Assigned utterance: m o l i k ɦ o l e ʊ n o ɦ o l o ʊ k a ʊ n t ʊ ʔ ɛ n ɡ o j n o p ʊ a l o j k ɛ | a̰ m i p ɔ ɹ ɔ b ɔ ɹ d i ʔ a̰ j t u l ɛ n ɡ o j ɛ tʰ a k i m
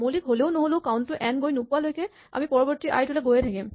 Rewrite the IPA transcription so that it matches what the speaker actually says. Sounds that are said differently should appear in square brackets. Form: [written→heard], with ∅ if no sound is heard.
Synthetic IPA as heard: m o l i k ɦ o l e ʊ n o ɦ o l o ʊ k a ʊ n t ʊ ʔ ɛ n ɡ o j n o p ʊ a l o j k ɛ | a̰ m i p ɔ ɹ ɔ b ɔ ɹ [d→t] i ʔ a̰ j t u l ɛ [n→∅] ɡ o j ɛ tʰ a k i m

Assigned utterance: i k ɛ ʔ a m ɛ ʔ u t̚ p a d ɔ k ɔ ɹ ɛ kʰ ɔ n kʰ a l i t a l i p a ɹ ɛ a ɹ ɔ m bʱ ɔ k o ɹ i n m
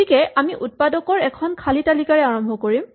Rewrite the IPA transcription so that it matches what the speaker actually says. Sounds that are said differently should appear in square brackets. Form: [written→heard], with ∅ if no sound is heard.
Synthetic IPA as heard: i k ɛ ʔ a m [ɛ→i] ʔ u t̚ p a d ɔ k ɔ ɹ ɛ kʰ ɔ n kʰ a l i t a l i [p→k] a ɹ ɛ a ɹ ɔ m bʱ ɔ k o ɹ i [n→∅] m

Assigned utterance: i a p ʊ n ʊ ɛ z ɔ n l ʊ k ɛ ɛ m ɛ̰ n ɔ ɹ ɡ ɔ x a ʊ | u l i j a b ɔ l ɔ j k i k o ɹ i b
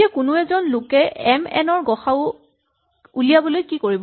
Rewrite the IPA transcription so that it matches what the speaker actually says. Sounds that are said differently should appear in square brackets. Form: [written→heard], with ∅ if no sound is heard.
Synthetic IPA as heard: i a [p→k] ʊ n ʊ ɛ z ɔ n l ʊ k ɛ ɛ m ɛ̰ n ɔ ɹ ɡ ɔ x a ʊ | u l i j a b ɔ l [ɔ→o] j k i k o ɹ i b

